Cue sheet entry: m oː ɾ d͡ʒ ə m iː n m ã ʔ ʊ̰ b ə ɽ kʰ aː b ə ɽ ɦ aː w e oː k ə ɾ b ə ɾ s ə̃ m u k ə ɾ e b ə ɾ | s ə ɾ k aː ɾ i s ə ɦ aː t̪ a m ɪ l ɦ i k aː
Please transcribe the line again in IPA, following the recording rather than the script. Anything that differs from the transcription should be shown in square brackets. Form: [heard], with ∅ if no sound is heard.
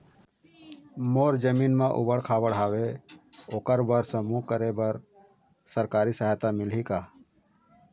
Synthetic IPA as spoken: m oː ɾ d͡ʒ ə m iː n m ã ʔ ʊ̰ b ə ɽ kʰ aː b ə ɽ ɦ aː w e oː k ə ɾ b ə ɾ s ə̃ m u k ə ɾ e b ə ɾ | s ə ɾ k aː ɾ i s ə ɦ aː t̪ a m ɪ l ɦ i k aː